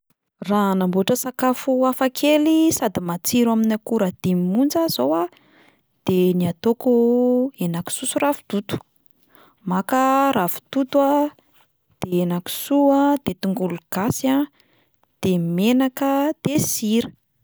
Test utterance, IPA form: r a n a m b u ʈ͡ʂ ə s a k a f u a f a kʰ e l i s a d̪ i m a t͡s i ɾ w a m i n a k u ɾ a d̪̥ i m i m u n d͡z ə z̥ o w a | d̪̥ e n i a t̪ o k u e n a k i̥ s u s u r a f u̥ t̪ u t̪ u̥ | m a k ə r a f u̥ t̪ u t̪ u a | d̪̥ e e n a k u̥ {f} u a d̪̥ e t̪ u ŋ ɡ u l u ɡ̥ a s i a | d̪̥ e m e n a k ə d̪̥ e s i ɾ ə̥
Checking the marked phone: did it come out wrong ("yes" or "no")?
yes